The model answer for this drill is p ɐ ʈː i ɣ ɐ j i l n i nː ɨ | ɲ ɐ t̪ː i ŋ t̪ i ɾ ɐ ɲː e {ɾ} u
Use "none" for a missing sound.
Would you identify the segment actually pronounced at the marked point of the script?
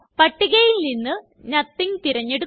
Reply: ɽ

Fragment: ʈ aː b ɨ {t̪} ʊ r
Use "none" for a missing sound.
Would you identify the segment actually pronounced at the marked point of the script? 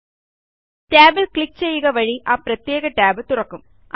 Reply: t̪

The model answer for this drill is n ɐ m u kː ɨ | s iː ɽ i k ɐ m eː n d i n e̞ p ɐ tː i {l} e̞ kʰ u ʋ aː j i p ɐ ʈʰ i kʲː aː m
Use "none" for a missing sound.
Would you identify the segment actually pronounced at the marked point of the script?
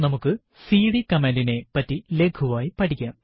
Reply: l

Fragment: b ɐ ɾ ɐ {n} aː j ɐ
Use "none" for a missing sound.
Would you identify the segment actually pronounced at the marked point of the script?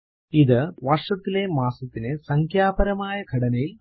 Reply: m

